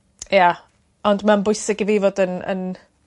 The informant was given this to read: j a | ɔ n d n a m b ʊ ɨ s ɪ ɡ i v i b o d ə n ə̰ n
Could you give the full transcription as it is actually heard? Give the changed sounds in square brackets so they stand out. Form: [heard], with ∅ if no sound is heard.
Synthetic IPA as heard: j a | ɔ n d [m] a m b ʊ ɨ s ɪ ɡ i v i [v] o d ə n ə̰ n